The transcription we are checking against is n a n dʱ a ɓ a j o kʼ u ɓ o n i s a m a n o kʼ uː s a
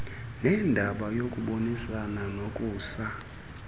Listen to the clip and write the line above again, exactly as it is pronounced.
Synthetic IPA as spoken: n ɛ n dʱ a ɓ a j o kʼ u ɓ o n i s a n a n o kʼ uː s a